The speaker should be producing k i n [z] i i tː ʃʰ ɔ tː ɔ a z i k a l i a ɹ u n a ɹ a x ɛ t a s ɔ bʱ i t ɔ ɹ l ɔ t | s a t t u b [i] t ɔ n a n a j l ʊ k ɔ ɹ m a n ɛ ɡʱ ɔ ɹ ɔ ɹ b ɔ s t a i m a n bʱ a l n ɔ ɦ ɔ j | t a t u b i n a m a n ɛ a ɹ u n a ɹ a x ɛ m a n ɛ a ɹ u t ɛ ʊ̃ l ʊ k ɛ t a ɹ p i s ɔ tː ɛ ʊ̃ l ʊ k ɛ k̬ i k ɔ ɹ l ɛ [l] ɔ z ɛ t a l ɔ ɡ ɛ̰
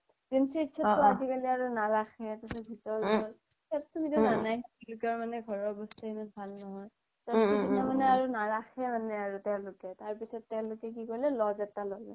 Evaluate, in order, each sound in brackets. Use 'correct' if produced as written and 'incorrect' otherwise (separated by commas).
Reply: incorrect, correct, correct